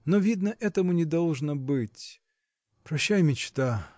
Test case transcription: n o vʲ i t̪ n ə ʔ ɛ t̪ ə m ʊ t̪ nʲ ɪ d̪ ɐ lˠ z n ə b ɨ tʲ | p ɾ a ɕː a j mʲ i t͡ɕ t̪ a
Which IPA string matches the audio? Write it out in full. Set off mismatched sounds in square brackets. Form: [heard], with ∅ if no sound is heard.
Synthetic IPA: n o vʲ i [d̪] n ə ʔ ɛ t̪ ə m ʊ [∅] nʲ ɪ d̪ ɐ lˠ [ʐ] n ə b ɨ tʲ | p ɾ [ɐ] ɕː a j mʲ [ɪ] t͡ɕ t̪ a

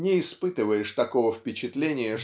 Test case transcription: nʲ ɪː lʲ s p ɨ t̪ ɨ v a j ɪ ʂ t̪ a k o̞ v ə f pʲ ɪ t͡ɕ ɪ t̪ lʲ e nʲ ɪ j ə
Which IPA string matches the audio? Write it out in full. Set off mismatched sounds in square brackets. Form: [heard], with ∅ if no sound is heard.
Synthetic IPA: nʲ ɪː [∅] s p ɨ t̪ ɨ v [ə] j ɪ ʂ t̪ [ɐ] k o̞ v ə f pʲ ɪ t͡ɕ ɪ t̪ lʲ e nʲ ɪ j ə

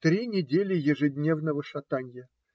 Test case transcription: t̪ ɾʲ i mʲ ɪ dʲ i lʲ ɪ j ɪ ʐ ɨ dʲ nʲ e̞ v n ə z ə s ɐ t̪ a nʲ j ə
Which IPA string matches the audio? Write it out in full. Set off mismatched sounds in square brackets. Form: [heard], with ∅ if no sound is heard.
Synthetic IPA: t̪ ɾʲ i [nʲ] ɪ dʲ [e] lʲ ɪ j ɪ ʐ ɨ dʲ nʲ e̞ v n ə [v] ə [ʂ] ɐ t̪ a nʲ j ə

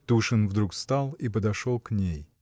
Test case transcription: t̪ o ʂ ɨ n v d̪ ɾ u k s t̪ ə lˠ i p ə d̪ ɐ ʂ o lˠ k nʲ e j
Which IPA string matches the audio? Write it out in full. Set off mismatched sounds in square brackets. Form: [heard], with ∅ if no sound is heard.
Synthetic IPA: t̪ [u] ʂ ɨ n v d̪ ɾ u k s t̪ [a] lˠ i p ə d̪ ɐ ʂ o lˠ k nʲ e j

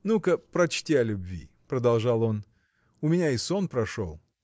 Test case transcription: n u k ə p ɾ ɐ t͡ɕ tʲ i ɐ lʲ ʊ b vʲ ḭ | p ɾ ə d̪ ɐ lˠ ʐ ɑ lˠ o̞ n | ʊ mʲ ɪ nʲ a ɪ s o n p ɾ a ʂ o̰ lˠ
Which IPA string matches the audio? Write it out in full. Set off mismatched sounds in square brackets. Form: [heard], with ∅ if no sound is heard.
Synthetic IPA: n u k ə p ɾ ɐ t͡ɕ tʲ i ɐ lʲ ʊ b vʲ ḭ | p ɾ ə d̪ ɐ lˠ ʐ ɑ lˠ o̞ n | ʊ mʲ ɪ nʲ a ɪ s o n p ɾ [ɐ] ʂ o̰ lˠ

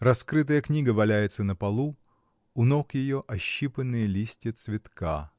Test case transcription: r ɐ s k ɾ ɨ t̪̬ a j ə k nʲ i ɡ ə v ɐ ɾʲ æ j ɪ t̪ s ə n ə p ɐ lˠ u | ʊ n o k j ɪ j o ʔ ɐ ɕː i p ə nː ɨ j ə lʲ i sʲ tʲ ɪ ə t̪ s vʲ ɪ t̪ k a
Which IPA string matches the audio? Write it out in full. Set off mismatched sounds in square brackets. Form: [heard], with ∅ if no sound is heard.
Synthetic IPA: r ɐ s k ɾ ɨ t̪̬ [ə] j ə k nʲ i ɡ ə v ɐ [lʲ] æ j ɪ t̪ s ə n ə p ɐ lˠ u | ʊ n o k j ɪ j o ʔ ɐ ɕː i p ə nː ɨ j ə lʲ i sʲ tʲ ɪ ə t̪ s vʲ ɪ t̪ k a

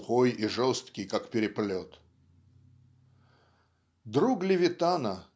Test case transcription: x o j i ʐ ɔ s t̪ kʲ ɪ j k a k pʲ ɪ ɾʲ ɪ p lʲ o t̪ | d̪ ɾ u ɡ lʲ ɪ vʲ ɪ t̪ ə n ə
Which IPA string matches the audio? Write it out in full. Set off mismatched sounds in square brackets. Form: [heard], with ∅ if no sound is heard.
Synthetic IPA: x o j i ʐ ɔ s t̪ kʲ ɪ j k a k pʲ ɪ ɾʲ ɪ p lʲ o t̪ | d̪ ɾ u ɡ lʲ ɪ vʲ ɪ t̪ [a] n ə

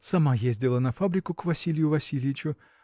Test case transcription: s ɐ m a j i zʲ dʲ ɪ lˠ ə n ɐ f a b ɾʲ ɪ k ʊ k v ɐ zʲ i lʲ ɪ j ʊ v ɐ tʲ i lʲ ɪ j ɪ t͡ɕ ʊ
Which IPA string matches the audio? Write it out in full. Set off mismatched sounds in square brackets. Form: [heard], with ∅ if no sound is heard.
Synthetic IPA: s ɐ m a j [e] zʲ dʲ ɪ lˠ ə n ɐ f a b ɾʲ ɪ k ʊ k v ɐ [sʲ] i lʲ ɪ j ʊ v ɐ [sʲ] i lʲ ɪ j ɪ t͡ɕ ʊ

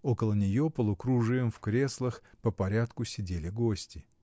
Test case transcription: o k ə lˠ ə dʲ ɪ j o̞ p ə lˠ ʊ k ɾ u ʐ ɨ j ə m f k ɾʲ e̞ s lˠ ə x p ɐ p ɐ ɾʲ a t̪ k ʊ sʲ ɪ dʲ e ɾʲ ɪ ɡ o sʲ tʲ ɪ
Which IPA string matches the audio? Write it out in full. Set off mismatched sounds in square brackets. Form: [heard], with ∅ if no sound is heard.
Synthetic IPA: o k ə lˠ ə [nʲ] ɪ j o̞ p ə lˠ ʊ k ɾ u ʐ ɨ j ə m f k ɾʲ e̞ s lˠ ə x p [ə] p ɐ ɾʲ a t̪ k ʊ sʲ ɪ dʲ e [lʲ] ɪ ɡ o sʲ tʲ ɪ

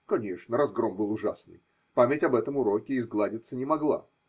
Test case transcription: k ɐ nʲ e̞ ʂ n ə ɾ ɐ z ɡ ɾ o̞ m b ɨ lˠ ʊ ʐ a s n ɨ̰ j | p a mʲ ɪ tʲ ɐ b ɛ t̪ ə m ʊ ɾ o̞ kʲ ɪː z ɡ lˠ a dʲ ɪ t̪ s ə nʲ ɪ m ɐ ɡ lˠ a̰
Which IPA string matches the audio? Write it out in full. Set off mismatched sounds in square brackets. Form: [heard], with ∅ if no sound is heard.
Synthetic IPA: k ɐ nʲ e̞ ʂ n ə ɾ ɐ z ɡ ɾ o̞ m b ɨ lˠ ʊ ʐ a s n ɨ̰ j | p a mʲ ɪ tʲ ɐ b ɛ t̪ ə m ʊ ɾ o̞ kʲ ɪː z ɡ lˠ a dʲ ɪ t̪ s ə nʲ ɪ m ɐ ɡ lˠ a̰

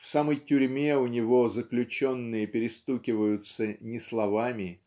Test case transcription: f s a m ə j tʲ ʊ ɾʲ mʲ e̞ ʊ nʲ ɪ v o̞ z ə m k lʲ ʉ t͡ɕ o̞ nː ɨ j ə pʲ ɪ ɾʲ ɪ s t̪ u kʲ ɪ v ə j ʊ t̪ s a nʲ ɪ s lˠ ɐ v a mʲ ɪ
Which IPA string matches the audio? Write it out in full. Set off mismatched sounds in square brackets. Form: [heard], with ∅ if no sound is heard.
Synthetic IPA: f s a m ə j tʲ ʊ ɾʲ mʲ e̞ ʊ nʲ ɪ v o̞ z ə [∅] k lʲ ʉ t͡ɕ o̞ nː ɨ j ə pʲ ɪ ɾʲ ɪ s t̪ u kʲ ɪ v ə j ʊ t̪ s [ə] nʲ ɪ s lˠ ɐ v a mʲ ɪ

